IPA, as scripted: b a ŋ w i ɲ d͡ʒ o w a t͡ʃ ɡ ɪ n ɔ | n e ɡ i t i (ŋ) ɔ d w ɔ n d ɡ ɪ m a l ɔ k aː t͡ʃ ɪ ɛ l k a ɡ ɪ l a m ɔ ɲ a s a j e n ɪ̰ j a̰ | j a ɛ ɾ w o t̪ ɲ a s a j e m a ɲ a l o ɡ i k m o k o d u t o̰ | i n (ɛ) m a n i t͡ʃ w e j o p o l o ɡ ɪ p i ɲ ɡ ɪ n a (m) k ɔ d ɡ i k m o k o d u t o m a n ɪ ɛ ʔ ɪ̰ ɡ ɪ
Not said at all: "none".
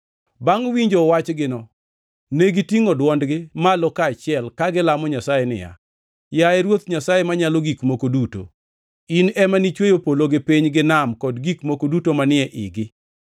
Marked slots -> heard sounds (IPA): ŋ, ɛ, m

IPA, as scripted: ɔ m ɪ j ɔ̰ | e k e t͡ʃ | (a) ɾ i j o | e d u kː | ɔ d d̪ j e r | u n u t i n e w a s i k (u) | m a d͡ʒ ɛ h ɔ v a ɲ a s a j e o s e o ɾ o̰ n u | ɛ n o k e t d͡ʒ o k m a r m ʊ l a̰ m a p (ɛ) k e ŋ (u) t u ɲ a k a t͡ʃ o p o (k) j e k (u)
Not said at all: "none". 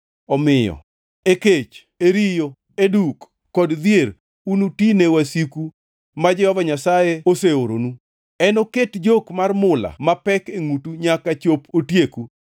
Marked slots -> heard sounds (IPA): e, u, ɛ, u, t, u

